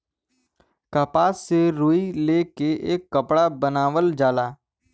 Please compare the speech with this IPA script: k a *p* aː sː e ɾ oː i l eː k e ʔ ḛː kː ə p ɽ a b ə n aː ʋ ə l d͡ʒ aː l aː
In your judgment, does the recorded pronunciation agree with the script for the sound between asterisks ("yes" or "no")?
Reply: yes